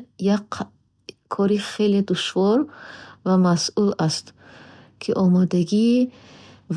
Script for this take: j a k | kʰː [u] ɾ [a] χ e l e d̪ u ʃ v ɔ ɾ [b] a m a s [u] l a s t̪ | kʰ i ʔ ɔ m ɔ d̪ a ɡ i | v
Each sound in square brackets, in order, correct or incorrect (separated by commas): incorrect, incorrect, incorrect, correct